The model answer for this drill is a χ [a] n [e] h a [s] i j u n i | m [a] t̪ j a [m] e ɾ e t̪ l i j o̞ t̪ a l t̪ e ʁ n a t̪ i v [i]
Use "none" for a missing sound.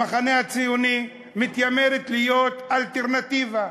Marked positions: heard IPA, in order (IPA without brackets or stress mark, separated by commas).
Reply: a, e, t͡s, i, m, a